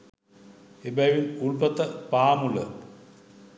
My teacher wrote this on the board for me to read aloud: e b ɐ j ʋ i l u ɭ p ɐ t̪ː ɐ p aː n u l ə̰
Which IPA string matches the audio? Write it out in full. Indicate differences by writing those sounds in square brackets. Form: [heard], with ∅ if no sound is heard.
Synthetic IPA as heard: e b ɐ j ʋ i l u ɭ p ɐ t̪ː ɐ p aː [m] u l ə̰